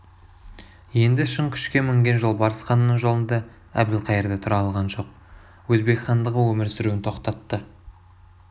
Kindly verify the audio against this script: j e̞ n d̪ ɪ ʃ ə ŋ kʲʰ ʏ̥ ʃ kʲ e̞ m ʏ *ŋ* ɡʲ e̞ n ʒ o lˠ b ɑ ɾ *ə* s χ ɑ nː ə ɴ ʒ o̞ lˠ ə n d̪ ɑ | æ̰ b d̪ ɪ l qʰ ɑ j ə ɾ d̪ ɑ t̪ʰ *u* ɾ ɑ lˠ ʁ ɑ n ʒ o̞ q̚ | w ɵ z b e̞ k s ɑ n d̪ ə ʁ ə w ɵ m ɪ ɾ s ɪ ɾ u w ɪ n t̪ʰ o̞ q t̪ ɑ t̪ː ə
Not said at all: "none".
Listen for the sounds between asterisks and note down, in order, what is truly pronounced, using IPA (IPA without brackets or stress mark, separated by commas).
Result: ŋ, ə, ʊ